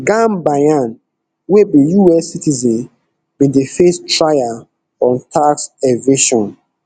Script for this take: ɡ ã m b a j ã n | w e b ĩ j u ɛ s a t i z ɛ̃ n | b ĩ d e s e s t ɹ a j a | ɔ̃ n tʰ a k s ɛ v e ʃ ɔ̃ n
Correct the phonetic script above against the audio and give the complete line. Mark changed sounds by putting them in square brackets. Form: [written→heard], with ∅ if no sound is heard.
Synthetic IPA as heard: ɡ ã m b a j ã n | w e b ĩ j u ɛ s [a→i] t i z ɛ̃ n | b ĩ d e [s→f] e s t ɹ a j a | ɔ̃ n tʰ a k s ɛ v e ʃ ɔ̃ n